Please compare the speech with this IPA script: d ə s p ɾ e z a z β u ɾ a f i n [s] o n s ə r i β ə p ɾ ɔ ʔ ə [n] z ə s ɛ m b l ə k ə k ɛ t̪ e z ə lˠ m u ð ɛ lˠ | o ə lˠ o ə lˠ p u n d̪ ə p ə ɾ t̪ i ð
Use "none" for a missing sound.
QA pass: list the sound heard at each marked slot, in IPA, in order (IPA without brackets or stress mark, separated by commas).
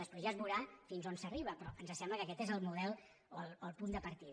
z, n